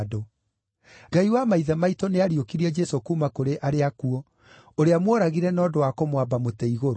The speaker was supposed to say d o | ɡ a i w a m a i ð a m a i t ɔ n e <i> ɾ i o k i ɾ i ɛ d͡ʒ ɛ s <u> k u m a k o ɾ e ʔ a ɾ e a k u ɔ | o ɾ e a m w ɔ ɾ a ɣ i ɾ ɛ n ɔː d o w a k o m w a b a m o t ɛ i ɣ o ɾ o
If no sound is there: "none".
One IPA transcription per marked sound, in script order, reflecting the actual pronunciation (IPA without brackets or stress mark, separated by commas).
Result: a, o